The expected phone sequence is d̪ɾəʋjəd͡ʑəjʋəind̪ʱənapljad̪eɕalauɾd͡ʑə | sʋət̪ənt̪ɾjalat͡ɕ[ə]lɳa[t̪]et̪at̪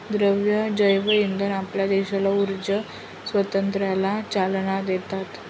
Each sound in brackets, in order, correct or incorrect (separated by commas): incorrect, incorrect